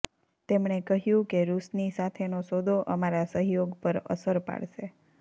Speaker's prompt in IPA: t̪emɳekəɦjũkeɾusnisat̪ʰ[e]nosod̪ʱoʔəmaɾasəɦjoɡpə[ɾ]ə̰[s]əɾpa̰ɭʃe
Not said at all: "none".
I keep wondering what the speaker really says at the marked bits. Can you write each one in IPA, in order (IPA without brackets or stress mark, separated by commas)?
e, ɾ, s